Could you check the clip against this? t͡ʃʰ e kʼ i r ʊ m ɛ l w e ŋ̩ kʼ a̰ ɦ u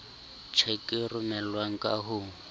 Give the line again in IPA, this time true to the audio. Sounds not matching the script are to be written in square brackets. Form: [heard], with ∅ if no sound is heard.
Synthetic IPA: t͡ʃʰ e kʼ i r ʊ m ɛ l w [a] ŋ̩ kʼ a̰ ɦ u